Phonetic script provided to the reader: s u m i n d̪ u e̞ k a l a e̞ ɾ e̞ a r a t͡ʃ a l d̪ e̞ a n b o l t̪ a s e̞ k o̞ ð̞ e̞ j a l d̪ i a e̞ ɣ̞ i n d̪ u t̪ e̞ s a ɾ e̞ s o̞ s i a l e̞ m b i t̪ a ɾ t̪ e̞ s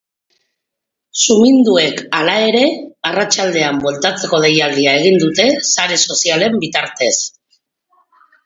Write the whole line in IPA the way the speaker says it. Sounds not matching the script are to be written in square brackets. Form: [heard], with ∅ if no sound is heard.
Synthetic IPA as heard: s u m i n d̪ u e̞ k a l a e̞ ɾ e̞ a r a t͡ʃ a l d̪ e̞ a [m] b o l t̪ a [t͡s] e̞ k o̞ ð̞ e̞ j a l d̪ i a e̞ ɣ̞ i n d̪ u t̪ e̞ s a ɾ e̞ s o̞ s i a l e̞ m b i t̪ a ɾ t̪ e̞ s